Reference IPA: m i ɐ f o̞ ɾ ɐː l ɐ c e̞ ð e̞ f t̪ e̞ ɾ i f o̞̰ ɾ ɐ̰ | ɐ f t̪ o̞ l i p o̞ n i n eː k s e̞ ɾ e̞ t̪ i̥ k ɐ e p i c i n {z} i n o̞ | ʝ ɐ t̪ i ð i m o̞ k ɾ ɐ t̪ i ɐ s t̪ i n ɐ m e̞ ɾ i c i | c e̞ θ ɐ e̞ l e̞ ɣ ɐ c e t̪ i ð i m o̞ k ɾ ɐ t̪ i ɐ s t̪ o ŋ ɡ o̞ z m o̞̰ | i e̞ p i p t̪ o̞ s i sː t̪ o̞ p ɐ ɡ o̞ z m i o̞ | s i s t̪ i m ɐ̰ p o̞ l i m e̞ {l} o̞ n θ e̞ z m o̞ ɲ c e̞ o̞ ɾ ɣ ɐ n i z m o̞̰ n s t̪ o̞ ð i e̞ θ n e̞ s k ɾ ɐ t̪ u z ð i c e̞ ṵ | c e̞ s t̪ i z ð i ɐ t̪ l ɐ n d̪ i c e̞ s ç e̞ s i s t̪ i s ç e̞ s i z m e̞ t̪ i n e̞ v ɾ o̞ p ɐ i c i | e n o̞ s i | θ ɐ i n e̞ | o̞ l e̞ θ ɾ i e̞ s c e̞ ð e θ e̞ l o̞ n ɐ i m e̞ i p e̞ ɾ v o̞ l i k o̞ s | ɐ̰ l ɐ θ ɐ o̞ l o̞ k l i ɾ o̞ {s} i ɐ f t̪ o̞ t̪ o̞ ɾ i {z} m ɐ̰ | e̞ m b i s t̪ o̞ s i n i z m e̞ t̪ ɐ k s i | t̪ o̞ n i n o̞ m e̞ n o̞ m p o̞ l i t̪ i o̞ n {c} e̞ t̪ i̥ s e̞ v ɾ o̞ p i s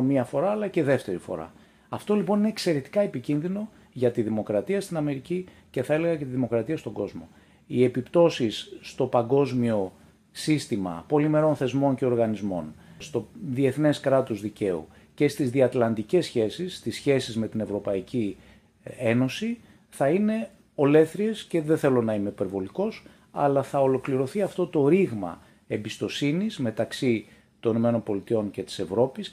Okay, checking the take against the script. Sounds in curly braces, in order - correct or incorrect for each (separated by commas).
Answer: incorrect, incorrect, incorrect, incorrect, correct